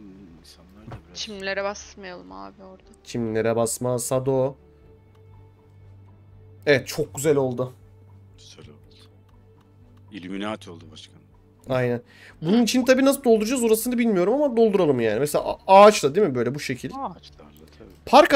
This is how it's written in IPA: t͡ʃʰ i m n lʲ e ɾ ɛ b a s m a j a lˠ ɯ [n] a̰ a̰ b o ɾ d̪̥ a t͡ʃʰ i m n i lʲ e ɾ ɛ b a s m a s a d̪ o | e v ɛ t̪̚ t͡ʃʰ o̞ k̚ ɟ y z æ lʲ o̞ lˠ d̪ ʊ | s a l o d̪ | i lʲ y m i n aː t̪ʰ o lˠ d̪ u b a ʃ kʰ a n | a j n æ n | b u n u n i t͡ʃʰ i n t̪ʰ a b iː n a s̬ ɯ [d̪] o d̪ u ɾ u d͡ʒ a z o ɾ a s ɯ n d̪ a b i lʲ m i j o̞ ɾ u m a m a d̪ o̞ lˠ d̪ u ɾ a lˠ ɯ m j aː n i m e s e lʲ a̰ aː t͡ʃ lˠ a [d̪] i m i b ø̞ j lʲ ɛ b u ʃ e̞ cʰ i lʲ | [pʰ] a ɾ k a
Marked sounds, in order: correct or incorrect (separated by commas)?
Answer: incorrect, correct, correct, correct